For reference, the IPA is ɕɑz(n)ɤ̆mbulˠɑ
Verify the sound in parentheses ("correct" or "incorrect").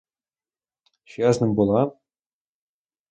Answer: correct